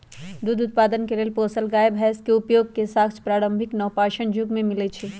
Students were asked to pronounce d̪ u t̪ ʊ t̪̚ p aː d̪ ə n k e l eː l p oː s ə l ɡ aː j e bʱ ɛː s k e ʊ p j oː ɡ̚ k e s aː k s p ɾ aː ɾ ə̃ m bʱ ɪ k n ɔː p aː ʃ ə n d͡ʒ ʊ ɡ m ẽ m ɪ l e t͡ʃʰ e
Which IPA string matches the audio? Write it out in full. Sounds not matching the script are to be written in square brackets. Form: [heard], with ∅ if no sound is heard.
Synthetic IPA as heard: d̪ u [d̪] ʊ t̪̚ p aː d̪ ə n k e l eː l p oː s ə l ɡ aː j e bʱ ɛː s k e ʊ p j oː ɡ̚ k e s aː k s p ɾ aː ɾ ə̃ m bʱ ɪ k n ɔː p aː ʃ ə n d͡ʒ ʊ ɡ m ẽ m ɪ l e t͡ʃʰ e